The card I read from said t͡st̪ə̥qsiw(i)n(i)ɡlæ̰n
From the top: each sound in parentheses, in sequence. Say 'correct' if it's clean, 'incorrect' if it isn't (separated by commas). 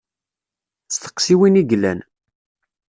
correct, correct